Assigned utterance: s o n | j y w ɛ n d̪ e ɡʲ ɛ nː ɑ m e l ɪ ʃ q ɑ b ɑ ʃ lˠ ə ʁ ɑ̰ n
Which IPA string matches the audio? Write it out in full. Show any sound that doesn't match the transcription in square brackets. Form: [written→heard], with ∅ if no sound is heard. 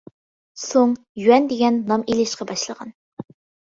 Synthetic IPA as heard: s o [n→ŋ] | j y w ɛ n d̪ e ɡʲ ɛ nː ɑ m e l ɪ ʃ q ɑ b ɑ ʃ lˠ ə ʁ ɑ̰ n